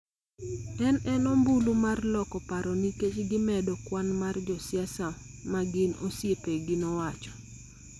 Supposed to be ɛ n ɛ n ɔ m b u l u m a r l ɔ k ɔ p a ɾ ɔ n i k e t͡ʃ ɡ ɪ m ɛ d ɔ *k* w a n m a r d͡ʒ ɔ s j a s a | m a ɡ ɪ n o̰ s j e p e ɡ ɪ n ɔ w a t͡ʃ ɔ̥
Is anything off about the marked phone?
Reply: no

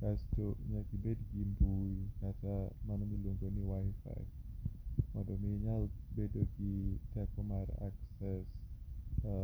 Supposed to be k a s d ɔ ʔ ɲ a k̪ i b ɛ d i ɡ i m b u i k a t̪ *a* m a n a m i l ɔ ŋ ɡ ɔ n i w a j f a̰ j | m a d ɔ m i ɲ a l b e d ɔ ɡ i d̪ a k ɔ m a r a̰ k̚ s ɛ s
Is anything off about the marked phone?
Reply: no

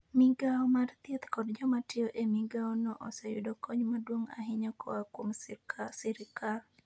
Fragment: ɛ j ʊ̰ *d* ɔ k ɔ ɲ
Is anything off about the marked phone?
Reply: no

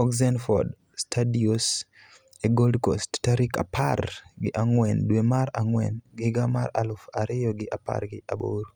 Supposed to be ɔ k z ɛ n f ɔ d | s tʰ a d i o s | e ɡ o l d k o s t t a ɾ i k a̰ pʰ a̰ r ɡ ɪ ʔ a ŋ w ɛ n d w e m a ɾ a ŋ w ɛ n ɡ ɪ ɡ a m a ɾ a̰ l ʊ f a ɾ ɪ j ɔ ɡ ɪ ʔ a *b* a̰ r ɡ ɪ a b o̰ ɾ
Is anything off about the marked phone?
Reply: yes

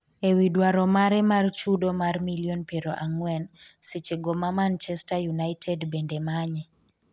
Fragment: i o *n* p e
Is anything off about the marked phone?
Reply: no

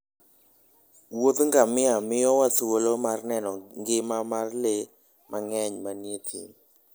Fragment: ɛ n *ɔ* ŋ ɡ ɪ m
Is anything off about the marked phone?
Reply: no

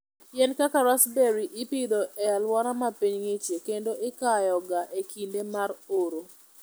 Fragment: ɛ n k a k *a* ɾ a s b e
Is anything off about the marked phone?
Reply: no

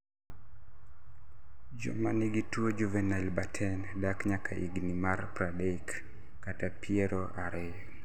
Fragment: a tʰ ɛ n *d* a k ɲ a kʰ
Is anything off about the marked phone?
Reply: no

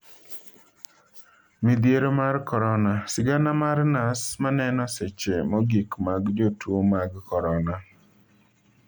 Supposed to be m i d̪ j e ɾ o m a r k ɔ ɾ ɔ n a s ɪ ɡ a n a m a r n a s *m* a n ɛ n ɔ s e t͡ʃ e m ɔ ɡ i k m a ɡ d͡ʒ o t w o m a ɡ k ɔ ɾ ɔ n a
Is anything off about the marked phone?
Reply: no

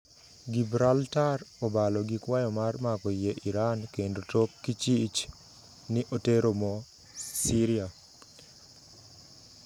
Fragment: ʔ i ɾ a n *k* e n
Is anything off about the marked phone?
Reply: no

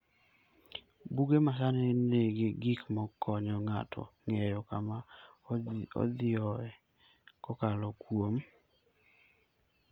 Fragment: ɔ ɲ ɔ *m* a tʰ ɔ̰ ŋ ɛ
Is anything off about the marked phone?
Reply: yes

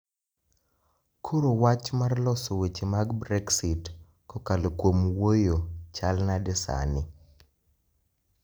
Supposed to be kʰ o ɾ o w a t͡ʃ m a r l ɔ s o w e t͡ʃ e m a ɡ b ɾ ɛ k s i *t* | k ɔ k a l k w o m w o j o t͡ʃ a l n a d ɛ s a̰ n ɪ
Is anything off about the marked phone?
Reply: no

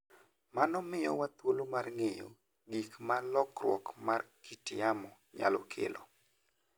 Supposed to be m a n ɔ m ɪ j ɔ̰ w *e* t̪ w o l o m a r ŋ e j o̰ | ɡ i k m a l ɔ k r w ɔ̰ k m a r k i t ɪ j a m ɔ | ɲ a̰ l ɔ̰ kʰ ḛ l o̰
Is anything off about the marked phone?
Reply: yes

